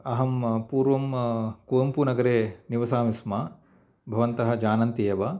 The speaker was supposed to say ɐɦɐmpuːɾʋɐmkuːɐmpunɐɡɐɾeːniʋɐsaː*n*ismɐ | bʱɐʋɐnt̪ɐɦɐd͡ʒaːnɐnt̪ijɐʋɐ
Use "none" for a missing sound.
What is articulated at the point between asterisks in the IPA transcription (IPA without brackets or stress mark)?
m